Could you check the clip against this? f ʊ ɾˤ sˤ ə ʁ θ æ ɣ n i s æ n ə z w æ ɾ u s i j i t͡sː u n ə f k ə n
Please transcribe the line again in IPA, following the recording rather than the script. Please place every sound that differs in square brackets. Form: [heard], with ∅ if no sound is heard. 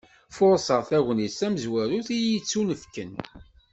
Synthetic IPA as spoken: f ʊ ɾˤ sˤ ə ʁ θ æ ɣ n i s æ [m] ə z w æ ɾ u [θ] i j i t͡sː u n ə f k ə n